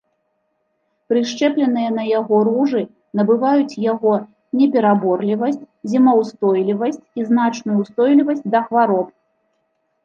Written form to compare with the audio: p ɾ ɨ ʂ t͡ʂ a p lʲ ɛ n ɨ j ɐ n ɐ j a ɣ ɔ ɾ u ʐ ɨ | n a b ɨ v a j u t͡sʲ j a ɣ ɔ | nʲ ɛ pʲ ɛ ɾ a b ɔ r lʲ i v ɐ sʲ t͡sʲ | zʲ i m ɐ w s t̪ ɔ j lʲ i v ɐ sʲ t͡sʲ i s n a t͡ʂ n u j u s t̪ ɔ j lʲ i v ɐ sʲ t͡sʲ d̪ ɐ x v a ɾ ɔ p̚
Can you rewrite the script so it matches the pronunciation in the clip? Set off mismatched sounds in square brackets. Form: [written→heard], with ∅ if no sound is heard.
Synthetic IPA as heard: p ɾ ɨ ʂ t͡ʂ [a→ɛ] p lʲ ɛ n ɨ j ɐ n ɐ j a ɣ ɔ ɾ u ʐ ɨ | n [a→ɐ] b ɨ v a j u t͡sʲ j a ɣ ɔ | nʲ ɛ pʲ ɛ ɾ a b ɔ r lʲ i v ɐ sʲ t͡sʲ | zʲ i m ɐ w s t̪ ɔ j lʲ i v ɐ sʲ t͡sʲ i [s→z] n a t͡ʂ n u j u s t̪ ɔ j lʲ i v ɐ sʲ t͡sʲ d̪ ɐ x v a ɾ ɔ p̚